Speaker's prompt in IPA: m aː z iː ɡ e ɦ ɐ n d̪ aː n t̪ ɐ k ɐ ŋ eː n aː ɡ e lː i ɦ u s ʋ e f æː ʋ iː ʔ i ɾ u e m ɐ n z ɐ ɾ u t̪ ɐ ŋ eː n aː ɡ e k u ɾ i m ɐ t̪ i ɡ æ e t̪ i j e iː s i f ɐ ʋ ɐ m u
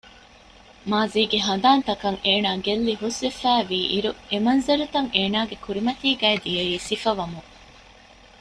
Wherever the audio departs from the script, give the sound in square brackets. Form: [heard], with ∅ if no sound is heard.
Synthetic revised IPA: m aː z iː ɡ e ɦ ɐ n d̪ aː n t̪ ɐ k ɐ ŋ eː n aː ɡ e lː i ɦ u s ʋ e f æː ʋ iː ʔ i ɾ u e m ɐ n z ɐ ɾ u t̪ ɐ ŋ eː n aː ɡ e k u ɾ i m ɐ t̪ [iː] ɡ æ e [d̪] i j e iː s i f ɐ ʋ ɐ m u